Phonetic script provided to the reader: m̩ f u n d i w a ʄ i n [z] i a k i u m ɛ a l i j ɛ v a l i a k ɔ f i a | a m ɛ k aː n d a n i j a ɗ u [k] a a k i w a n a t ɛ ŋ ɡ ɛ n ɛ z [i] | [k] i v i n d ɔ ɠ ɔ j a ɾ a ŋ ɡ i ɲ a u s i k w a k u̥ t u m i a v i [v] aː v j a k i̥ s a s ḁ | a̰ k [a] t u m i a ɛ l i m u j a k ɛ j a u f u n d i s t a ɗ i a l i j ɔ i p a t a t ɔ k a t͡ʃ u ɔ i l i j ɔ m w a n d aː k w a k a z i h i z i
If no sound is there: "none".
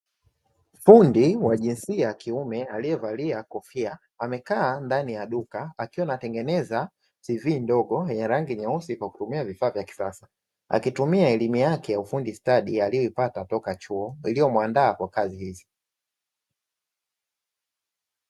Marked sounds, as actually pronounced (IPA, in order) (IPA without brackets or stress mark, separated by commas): s, k, a, t, f, i